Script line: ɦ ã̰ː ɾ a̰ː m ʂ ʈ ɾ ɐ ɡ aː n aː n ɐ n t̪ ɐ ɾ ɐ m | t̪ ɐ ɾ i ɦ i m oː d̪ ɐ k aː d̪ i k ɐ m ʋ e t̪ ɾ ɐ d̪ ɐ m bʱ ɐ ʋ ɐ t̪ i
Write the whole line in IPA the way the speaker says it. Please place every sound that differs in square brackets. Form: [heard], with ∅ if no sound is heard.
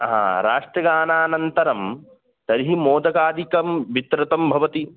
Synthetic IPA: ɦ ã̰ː ɾ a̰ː [∅] ʂ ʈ ɾ ɐ ɡ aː n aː n ɐ n t̪ ɐ ɾ ɐ m | t̪ ɐ ɾ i ɦ i m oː d̪ ɐ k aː d̪ i k ɐ m ʋ [i] t̪ ɾ ɐ [t̪] ɐ m bʱ ɐ ʋ ɐ t̪ i